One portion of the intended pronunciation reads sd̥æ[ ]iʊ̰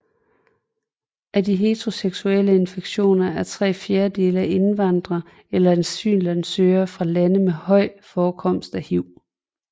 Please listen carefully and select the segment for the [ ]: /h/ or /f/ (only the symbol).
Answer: h